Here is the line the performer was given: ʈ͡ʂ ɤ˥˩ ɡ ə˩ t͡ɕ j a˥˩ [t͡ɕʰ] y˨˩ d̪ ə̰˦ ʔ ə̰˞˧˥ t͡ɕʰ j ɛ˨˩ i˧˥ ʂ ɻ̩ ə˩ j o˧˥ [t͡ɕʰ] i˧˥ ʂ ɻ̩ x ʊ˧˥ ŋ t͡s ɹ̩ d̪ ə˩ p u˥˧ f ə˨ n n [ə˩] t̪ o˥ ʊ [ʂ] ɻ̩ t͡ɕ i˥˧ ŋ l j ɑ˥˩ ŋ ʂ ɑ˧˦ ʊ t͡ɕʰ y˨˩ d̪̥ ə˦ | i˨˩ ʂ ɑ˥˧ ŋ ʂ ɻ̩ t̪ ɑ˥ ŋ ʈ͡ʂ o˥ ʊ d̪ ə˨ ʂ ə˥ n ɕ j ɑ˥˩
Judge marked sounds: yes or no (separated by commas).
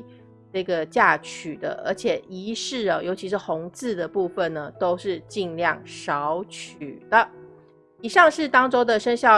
yes, yes, yes, yes